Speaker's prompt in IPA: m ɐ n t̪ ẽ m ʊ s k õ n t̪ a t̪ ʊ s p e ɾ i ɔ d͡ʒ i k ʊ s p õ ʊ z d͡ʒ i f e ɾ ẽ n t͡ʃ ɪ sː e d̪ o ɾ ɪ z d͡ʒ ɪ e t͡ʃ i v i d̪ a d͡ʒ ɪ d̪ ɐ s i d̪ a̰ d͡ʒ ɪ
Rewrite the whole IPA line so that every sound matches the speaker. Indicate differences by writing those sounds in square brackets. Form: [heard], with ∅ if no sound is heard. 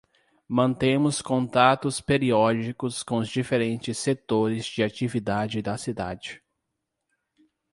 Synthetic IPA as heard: m [ɐ̃] n t̪ ẽ m ʊ s k õ n t̪ a t̪ ʊ s p e ɾ i ɔ d͡ʒ i k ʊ s [k] õ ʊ z d͡ʒ i f e ɾ ẽ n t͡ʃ ɪ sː e [t̪] o ɾ ɪ z d͡ʒ ɪ [a] t͡ʃ i v i d̪ a d͡ʒ ɪ d̪ ɐ s i d̪ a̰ d͡ʒ ɪ